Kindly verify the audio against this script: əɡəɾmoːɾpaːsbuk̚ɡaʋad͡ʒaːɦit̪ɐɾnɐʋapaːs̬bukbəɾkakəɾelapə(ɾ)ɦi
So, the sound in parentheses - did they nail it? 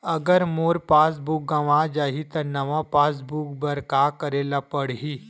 no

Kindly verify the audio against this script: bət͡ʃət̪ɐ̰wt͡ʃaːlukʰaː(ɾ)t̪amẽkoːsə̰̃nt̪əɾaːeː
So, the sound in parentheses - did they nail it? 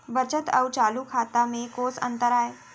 no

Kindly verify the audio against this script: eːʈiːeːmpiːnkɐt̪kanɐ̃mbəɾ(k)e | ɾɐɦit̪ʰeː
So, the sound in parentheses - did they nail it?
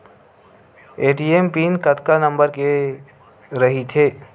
yes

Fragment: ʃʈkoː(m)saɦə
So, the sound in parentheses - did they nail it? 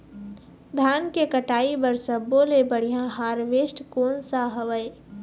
no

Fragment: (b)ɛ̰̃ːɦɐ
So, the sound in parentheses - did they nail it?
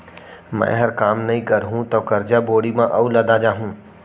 no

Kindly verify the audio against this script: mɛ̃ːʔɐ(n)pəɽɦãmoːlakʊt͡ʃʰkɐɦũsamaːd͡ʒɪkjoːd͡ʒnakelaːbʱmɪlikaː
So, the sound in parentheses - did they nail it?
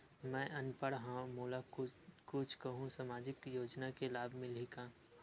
yes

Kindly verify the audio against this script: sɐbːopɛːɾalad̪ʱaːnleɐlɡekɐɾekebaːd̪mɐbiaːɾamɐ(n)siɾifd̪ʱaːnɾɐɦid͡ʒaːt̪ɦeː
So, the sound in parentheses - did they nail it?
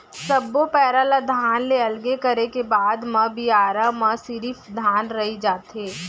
no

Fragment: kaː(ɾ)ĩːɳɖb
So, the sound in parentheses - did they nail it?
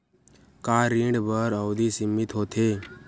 yes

